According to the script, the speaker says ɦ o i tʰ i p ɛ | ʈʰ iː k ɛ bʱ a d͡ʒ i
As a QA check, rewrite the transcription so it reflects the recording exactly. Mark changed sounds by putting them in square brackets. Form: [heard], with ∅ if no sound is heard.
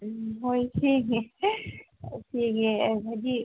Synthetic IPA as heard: ɦ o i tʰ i [k] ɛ | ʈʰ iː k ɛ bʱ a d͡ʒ i